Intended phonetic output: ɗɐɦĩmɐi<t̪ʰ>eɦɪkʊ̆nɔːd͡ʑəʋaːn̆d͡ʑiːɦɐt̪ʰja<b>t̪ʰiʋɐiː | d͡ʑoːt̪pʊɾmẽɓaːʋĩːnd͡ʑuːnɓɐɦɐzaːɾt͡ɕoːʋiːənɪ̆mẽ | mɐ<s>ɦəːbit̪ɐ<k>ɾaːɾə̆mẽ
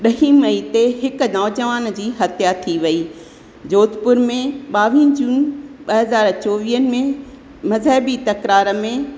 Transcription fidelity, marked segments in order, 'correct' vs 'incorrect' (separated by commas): incorrect, incorrect, incorrect, correct